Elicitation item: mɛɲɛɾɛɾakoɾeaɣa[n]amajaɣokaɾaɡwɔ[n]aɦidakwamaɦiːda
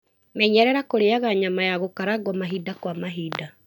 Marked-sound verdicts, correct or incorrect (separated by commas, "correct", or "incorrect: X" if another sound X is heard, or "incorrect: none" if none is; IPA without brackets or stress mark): incorrect: ɲ, incorrect: m